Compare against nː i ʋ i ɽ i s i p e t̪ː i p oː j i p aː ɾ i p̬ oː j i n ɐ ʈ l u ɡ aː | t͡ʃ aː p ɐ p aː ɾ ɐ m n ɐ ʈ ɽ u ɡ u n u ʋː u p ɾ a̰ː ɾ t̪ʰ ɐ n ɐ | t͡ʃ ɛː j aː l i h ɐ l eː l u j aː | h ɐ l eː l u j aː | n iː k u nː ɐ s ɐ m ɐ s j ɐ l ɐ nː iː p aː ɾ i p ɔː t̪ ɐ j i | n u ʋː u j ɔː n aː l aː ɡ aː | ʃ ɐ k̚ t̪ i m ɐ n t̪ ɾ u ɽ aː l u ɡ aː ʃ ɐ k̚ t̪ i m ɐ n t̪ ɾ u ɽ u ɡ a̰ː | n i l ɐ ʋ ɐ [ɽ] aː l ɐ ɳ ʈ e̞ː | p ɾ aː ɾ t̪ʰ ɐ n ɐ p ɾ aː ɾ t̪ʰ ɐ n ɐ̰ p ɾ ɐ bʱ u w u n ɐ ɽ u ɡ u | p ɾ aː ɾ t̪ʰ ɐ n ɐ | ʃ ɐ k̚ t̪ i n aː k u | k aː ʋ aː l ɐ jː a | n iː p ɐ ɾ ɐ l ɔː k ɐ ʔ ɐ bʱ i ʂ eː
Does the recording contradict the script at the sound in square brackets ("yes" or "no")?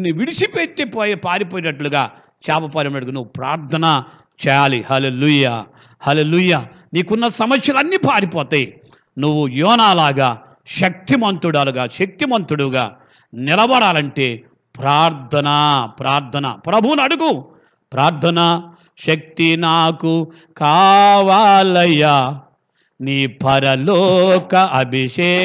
no